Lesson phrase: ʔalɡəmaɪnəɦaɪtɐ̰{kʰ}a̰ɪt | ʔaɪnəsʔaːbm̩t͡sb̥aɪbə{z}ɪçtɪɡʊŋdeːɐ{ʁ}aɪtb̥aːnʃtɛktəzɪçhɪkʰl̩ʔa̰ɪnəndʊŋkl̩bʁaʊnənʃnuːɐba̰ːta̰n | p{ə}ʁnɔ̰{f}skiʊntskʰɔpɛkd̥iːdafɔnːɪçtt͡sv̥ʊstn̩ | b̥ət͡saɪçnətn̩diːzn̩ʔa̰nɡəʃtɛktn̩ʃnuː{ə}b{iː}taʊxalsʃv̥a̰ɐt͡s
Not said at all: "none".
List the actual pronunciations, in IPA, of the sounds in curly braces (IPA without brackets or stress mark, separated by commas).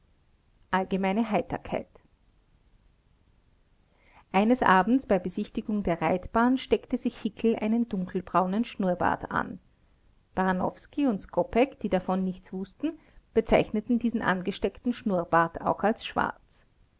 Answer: kʰ, z, ʁ, a, f, ɐ, aː